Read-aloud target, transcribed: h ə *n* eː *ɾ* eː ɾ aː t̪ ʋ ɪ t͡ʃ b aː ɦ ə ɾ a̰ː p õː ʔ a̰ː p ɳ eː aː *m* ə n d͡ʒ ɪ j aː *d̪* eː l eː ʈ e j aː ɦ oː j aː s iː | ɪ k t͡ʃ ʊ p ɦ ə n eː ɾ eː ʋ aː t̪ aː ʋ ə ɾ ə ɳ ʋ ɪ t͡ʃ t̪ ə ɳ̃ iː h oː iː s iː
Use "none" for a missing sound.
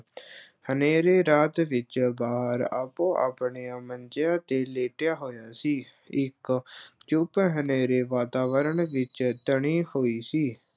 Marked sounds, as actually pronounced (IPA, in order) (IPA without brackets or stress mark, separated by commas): n, ɾ, m, t̪